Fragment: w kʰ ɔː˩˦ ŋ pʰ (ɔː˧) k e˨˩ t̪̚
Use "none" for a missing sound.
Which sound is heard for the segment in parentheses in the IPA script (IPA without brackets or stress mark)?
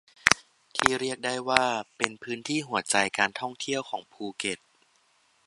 uː˧